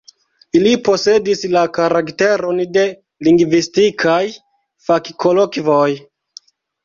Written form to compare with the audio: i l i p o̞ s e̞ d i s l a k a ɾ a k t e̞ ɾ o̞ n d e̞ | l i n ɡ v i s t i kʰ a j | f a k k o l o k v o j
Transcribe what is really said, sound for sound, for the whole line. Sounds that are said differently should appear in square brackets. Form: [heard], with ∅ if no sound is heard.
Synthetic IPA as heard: i l i p o̞ s e̞ d i s l a k a ɾ a k t e̞ ɾ o̞ n d e̞ | l i [ŋ] ɡ v i s t i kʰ a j | f a k k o l o k v o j